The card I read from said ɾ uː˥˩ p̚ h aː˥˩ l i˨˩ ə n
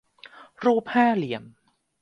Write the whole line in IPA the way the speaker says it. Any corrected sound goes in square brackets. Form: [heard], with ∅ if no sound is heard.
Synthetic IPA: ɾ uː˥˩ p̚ h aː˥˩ l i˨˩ ə [m]